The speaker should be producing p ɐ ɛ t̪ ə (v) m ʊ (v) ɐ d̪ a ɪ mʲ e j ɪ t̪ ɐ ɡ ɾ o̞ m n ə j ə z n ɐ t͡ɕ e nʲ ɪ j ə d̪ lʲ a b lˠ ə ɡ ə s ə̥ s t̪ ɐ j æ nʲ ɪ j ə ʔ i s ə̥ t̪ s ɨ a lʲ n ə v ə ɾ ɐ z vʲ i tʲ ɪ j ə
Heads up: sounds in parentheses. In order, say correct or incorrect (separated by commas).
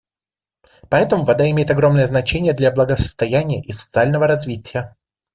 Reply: incorrect, correct